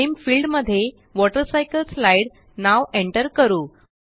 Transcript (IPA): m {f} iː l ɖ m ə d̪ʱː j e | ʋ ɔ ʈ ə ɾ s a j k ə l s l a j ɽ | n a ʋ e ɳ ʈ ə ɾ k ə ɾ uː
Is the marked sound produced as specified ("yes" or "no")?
yes